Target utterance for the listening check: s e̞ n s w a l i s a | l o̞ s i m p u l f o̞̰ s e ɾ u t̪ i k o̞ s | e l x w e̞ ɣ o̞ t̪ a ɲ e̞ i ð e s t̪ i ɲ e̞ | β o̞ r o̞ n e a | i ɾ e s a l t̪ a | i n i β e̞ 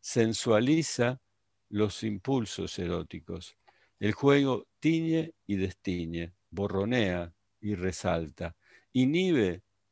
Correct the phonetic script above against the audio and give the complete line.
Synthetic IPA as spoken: s e̞ n s w a l i s a | l o̞ s i m p u l s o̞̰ s e ɾ o t̪ i k o̞ s | e l x w e̞ ɣ o̞ t̪ i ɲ e̞ i ð e s t̪ i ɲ e̞ | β o̞ r o̞ n e a | i r e s a l t̪ a | i n i β e̞